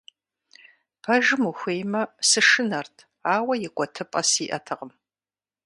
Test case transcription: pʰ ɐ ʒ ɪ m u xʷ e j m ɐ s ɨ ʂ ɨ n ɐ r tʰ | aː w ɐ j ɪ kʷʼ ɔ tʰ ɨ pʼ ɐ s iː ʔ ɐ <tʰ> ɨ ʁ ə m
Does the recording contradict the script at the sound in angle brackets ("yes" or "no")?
no